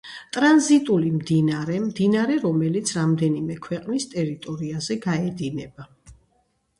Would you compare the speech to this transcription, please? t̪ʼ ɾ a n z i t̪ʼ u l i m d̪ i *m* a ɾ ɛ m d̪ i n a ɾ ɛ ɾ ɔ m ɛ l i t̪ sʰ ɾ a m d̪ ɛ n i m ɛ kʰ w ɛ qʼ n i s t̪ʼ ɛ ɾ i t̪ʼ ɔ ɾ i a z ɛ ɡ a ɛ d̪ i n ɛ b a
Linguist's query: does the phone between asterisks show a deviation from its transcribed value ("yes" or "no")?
yes